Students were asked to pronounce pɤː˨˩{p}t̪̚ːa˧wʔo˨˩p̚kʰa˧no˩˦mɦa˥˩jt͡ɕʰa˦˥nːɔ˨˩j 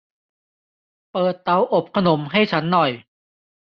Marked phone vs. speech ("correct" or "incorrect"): incorrect